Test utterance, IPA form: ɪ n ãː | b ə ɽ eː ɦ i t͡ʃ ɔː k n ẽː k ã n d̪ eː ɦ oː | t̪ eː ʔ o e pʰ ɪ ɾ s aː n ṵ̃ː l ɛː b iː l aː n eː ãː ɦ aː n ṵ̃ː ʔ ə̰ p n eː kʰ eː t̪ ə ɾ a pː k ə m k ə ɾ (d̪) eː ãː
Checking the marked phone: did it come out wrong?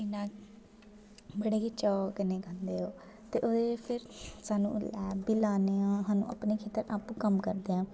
no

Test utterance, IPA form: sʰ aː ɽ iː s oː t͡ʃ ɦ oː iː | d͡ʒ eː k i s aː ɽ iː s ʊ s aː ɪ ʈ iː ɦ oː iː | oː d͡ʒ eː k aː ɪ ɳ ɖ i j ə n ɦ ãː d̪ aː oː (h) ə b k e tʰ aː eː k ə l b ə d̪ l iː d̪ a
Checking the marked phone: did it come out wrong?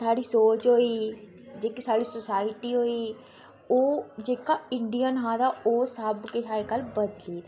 yes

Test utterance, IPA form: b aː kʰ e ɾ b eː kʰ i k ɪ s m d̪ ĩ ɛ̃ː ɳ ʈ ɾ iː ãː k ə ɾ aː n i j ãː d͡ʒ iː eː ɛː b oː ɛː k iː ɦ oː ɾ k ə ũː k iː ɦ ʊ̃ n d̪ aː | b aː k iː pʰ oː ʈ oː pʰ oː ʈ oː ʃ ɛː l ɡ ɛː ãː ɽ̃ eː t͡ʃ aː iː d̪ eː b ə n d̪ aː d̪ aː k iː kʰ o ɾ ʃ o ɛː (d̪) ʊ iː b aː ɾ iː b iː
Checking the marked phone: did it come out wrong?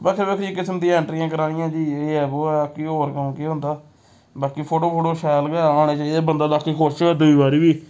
no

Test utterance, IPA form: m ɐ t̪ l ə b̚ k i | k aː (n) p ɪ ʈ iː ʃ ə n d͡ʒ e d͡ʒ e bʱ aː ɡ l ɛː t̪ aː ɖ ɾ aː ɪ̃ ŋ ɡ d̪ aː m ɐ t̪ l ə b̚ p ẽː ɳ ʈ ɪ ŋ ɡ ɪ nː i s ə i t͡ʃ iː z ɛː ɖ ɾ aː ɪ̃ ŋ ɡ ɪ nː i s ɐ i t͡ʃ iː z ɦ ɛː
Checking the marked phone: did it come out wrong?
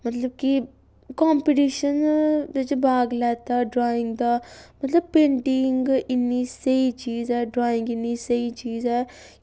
yes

